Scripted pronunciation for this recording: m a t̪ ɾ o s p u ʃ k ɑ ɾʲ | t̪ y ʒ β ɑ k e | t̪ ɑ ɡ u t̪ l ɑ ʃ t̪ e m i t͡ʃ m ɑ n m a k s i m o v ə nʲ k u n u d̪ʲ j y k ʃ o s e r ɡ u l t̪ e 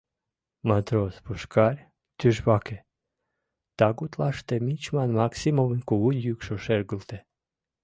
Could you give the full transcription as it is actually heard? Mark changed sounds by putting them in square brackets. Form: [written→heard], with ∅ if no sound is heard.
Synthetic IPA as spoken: m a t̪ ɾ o s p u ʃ k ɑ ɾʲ | t̪ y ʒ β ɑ k e | t̪ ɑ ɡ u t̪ l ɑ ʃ t̪ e m i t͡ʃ m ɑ n m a k s i m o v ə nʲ k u [n→∅] u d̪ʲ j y k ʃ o [s→ʃ] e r ɡ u l t̪ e